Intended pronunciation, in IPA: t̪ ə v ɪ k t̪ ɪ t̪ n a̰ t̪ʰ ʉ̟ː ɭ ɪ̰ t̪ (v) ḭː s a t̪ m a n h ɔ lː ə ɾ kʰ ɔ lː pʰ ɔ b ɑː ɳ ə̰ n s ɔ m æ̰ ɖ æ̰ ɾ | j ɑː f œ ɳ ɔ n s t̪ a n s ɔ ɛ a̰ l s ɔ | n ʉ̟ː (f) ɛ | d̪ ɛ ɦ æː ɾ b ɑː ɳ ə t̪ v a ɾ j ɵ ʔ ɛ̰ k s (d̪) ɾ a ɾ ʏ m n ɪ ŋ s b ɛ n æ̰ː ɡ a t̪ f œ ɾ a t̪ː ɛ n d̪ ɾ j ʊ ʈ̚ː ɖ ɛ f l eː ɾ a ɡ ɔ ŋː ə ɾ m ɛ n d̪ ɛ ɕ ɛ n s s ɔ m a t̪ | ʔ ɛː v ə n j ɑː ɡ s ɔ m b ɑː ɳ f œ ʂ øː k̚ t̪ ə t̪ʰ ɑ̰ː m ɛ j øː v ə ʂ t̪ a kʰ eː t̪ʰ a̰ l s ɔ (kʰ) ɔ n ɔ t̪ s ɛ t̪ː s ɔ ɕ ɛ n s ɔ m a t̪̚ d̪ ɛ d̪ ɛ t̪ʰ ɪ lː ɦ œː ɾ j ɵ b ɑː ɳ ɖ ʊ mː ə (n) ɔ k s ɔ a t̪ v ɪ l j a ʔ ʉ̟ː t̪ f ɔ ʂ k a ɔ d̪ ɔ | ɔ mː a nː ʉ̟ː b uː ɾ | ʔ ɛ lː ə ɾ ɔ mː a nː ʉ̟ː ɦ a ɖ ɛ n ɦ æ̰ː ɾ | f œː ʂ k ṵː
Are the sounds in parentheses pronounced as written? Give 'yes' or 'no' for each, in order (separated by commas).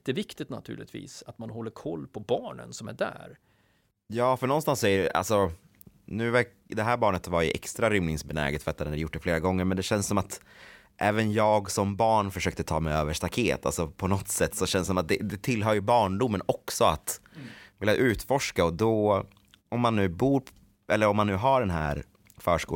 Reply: yes, no, no, no, yes